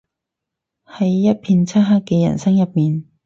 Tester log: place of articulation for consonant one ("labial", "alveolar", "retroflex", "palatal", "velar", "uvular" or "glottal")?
glottal